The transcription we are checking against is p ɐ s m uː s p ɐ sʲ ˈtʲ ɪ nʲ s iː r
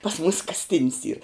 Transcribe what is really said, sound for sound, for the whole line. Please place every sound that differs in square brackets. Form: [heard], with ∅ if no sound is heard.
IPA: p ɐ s m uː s [k] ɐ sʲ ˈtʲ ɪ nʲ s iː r